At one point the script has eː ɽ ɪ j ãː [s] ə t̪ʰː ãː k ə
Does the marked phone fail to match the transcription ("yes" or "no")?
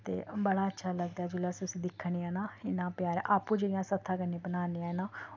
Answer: no